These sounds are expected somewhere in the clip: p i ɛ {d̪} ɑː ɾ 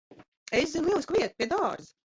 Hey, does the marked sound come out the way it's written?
yes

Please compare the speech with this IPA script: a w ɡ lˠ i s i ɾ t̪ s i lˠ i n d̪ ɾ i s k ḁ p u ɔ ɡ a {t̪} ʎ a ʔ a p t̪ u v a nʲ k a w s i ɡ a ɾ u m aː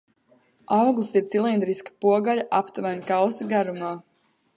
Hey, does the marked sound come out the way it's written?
no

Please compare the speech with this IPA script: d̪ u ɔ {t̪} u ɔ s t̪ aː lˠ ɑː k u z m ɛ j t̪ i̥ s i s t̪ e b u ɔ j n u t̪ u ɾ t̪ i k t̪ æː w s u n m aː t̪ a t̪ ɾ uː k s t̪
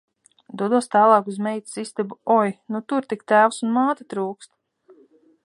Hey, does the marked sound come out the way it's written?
no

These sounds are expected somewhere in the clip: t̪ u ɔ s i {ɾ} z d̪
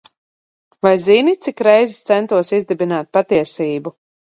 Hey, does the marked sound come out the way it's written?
no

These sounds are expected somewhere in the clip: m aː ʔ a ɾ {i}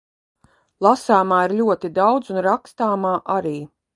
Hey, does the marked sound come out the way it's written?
no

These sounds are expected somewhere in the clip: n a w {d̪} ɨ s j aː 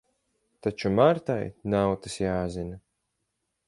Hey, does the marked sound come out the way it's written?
no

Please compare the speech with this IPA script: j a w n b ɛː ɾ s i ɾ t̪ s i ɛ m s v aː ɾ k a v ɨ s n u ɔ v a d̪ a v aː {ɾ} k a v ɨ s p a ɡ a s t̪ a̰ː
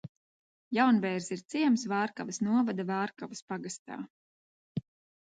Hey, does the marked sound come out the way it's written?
yes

